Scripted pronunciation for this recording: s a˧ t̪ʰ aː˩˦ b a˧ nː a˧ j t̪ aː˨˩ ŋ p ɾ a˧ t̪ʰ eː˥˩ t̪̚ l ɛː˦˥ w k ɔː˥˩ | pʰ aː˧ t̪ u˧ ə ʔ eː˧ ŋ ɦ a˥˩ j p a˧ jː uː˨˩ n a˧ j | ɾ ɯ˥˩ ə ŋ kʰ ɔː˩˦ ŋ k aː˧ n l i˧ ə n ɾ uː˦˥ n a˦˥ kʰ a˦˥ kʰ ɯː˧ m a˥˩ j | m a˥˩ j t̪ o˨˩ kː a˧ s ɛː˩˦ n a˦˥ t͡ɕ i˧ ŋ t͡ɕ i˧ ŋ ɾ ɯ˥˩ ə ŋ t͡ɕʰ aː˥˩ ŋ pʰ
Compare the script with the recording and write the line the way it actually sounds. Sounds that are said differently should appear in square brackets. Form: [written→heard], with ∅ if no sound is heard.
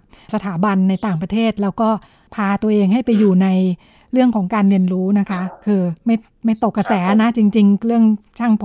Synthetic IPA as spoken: s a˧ t̪ʰ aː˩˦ b a˧ nː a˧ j t̪ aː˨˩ ŋ p ɾ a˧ t̪ʰ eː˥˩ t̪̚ l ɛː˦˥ w k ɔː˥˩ | pʰ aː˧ t̪ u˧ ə ʔ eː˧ ŋ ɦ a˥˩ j p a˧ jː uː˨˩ n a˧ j | ɾ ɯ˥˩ ə ŋ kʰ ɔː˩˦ ŋ k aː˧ n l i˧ ə n ɾ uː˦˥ n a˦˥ kʰ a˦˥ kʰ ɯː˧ m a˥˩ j | m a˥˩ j t̪ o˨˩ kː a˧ s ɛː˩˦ n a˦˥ t͡ɕ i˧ ŋ t͡ɕ i˧ ŋ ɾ ɯ˥˩ ə ŋ t͡ɕʰ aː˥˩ ŋ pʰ